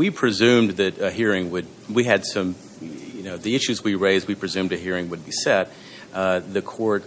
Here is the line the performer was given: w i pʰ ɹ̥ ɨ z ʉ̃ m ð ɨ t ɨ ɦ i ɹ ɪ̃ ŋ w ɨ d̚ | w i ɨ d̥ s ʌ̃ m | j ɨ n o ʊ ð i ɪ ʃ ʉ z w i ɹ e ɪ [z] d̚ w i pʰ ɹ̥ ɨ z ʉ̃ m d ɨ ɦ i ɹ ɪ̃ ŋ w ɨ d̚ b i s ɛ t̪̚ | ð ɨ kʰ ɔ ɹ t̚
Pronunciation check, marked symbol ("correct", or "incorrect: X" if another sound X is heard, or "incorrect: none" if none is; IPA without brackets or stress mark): correct